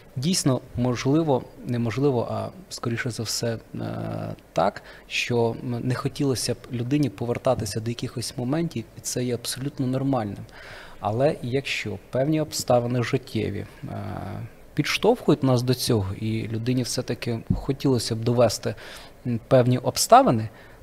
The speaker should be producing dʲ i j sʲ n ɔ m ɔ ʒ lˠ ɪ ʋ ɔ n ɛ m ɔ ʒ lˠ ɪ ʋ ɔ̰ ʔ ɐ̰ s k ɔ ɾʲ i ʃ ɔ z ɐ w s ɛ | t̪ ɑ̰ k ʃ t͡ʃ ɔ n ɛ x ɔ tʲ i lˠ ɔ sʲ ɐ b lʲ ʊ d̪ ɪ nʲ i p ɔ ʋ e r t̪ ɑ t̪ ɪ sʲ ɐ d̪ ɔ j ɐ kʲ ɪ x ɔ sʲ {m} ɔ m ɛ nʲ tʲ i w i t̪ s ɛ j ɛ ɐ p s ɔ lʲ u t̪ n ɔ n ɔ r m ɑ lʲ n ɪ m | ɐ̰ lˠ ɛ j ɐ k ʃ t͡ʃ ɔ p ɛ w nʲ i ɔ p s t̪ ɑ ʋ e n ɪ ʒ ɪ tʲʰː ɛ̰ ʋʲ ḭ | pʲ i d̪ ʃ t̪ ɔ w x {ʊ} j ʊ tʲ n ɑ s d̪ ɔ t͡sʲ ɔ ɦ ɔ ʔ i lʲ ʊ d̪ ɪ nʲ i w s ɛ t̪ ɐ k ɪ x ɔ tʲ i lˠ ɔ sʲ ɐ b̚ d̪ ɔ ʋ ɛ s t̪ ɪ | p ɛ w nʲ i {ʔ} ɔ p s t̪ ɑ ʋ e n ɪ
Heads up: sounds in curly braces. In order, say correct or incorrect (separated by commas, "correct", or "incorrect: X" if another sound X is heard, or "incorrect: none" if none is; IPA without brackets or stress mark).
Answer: correct, correct, correct